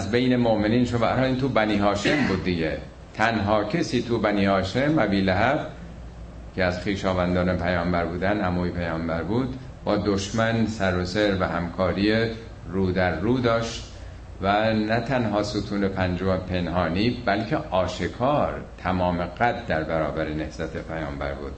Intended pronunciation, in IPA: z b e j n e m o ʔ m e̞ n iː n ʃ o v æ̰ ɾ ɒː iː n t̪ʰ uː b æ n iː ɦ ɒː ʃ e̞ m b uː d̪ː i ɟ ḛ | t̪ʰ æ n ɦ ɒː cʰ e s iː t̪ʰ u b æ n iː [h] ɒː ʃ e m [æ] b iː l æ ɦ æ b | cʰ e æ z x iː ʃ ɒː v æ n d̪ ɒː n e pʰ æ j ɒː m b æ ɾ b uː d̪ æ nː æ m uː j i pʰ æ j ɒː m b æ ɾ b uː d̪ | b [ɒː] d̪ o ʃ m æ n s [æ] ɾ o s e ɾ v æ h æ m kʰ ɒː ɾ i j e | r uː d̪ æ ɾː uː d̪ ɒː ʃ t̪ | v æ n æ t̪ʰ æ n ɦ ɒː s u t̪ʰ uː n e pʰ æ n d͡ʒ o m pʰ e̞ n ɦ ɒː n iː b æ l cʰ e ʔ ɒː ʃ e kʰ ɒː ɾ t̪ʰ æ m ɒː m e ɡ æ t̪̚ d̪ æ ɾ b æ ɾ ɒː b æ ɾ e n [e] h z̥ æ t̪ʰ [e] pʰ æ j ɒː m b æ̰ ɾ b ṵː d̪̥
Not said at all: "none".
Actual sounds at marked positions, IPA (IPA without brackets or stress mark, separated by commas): h, æ, ɒː, æ, e, e